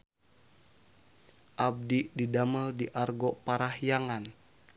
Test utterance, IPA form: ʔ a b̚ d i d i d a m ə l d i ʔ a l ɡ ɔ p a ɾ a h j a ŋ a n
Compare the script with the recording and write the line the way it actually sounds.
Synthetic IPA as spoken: ʔ a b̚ d i d i d a m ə l d i ʔ a r ɡ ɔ p a ɾ a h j a ŋ a n